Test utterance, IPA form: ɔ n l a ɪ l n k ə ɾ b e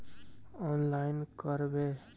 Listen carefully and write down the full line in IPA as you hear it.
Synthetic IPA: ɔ n l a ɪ n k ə ɾ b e